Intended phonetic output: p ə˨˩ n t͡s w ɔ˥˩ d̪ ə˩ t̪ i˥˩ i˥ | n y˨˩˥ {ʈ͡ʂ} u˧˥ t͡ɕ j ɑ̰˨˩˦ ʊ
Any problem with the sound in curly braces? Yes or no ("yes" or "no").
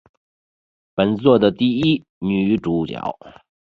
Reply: no